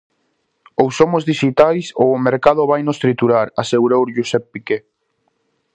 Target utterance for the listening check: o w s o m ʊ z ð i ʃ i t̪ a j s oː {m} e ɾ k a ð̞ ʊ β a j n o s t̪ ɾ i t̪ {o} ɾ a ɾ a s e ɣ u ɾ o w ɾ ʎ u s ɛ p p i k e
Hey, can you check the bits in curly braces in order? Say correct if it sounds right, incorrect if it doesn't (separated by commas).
correct, incorrect